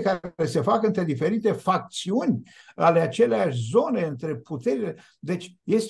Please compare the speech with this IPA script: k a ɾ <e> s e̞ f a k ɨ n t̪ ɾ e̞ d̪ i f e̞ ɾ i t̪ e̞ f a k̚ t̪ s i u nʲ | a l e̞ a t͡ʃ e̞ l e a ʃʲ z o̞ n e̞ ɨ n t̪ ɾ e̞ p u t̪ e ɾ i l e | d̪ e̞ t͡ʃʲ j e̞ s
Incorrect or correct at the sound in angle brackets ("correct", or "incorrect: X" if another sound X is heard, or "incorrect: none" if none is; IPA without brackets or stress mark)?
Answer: correct